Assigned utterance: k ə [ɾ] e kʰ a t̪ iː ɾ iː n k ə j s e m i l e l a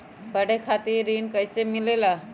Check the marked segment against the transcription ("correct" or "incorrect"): incorrect